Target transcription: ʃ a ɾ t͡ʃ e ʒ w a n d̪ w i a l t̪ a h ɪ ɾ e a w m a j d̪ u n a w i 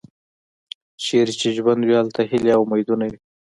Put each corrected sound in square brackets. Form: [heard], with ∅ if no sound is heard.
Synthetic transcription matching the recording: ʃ [e] ɾ t͡ʃ e ʒ w a n d̪ w i a l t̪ a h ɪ [l] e a w m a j d̪ u n a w i